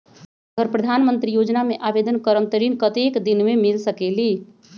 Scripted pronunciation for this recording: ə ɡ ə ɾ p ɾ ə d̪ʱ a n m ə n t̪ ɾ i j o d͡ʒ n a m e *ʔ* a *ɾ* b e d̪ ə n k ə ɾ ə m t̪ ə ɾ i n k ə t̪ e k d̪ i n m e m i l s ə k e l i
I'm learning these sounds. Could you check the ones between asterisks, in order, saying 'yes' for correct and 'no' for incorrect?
yes, no

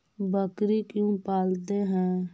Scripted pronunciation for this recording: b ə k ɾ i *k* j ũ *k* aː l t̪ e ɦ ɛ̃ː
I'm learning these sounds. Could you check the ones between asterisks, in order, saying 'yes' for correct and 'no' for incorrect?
yes, no

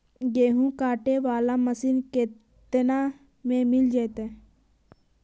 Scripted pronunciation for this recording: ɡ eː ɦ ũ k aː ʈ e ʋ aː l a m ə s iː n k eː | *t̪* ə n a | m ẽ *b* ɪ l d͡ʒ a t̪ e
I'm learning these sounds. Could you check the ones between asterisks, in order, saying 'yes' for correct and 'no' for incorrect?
yes, no

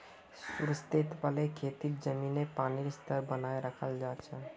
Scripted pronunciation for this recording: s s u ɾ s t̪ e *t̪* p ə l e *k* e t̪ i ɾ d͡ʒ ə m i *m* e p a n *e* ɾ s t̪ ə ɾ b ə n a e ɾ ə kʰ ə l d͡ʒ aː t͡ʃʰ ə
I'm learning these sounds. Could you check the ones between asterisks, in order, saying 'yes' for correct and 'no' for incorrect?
yes, no, no, no

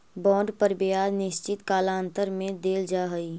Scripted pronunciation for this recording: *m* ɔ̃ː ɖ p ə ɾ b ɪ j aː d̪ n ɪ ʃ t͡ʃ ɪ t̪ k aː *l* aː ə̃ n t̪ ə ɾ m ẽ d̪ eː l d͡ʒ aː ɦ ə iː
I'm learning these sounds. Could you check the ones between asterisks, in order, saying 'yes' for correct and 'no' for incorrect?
no, yes

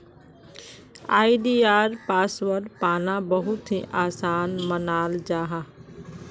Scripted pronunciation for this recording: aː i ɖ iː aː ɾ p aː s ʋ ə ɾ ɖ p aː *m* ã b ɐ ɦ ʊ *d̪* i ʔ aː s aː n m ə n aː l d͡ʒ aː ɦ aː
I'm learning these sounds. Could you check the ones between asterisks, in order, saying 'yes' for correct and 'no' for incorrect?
no, no

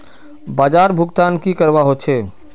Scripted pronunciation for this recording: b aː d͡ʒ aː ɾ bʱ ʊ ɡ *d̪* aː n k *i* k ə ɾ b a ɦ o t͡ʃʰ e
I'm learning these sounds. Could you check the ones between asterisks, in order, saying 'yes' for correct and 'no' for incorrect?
no, yes

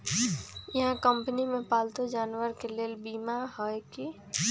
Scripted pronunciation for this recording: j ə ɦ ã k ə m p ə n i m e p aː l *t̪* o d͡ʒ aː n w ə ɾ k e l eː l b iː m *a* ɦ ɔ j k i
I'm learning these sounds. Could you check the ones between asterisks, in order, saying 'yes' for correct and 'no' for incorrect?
yes, yes

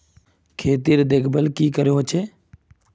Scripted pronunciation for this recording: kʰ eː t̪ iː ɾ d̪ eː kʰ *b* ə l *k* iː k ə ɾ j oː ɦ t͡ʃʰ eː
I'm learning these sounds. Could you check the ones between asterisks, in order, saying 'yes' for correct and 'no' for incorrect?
yes, yes

